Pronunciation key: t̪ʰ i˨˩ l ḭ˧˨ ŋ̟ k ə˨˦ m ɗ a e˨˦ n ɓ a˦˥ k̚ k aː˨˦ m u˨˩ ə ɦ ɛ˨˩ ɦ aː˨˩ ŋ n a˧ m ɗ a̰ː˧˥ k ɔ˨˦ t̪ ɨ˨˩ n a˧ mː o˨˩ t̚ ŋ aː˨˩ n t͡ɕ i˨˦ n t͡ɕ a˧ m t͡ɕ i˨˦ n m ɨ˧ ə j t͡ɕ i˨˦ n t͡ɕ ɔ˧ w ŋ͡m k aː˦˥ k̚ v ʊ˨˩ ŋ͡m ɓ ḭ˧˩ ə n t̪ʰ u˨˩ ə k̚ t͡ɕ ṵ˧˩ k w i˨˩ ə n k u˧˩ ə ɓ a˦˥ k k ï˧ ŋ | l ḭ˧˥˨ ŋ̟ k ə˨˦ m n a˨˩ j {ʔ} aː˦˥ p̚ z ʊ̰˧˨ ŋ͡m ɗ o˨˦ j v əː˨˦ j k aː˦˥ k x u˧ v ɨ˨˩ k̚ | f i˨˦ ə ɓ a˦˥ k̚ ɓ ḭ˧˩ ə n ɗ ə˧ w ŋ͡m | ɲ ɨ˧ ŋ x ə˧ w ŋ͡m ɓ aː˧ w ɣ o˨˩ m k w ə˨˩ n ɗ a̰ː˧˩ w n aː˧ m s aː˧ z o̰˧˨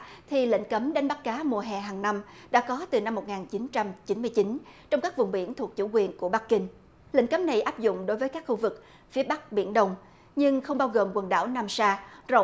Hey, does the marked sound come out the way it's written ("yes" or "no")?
yes